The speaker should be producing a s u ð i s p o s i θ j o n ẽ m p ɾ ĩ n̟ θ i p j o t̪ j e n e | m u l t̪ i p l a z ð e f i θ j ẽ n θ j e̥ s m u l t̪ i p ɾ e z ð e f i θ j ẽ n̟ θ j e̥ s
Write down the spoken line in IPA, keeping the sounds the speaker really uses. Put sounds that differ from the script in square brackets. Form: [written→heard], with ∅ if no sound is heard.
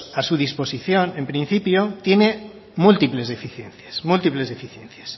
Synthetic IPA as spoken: a s u ð i s p o s i θ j o n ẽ m p ɾ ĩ n̟ θ i p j o t̪ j e n e | m u l t̪ i p l [a→e] z ð e f i θ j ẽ n θ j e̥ s m u l t̪ i p [ɾ→l] e z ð e f i θ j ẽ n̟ θ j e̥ s